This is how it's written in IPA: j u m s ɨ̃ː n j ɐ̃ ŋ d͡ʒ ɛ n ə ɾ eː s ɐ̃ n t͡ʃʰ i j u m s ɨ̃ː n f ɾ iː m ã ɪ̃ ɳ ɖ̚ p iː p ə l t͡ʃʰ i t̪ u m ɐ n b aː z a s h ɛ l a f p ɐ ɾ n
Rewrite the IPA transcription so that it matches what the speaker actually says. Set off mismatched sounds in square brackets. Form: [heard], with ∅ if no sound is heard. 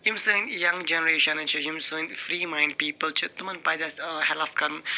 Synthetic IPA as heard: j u m s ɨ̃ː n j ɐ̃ ŋ d͡ʒ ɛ n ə ɾ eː [ʃ] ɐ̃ n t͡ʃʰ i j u m s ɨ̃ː n f ɾ iː m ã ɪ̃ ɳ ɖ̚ p iː p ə l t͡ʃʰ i t̪ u m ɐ n [p] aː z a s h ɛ l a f [k] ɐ ɾ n